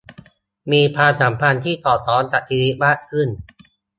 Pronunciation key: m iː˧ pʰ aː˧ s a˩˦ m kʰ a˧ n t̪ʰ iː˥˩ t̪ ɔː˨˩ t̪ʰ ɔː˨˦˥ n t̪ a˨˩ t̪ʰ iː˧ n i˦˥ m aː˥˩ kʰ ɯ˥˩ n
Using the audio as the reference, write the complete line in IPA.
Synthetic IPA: m iː˧ pʰ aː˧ s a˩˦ m pʰ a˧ n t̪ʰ iː˥˩ t̪ ɔː˨˩ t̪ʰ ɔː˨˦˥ n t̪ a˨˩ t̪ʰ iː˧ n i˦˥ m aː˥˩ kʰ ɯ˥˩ n